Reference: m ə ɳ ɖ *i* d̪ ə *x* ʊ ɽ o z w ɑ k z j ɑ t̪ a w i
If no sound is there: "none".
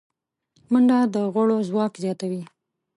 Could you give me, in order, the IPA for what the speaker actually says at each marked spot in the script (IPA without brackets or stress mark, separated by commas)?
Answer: a, ɣ